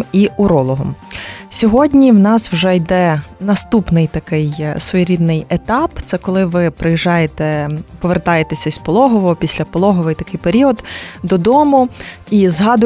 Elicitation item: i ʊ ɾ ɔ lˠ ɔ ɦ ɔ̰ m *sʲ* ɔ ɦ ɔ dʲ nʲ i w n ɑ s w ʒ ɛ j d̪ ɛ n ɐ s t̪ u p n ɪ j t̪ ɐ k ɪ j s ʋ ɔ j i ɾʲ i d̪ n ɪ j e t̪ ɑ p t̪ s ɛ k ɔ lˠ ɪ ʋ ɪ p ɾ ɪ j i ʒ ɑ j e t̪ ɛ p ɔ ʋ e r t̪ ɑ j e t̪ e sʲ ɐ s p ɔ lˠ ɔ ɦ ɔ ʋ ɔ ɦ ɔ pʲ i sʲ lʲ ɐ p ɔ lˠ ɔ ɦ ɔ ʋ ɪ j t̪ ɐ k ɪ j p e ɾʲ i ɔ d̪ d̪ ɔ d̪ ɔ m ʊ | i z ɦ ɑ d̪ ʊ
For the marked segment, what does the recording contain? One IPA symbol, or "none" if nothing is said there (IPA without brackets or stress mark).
sʲ